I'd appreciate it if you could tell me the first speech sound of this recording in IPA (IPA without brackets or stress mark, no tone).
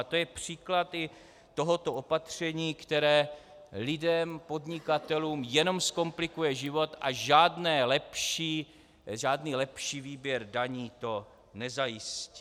t̪